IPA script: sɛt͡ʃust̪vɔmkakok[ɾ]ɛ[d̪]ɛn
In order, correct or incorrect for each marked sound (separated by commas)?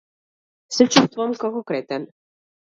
correct, incorrect